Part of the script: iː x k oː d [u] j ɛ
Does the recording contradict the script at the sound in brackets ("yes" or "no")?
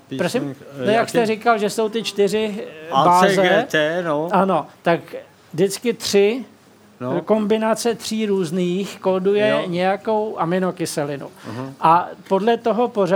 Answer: no